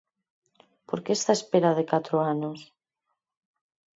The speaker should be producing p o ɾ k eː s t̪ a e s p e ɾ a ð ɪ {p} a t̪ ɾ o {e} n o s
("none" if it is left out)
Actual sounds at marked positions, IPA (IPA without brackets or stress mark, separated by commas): k, a